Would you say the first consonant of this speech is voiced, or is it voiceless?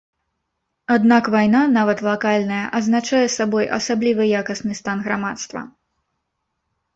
voiced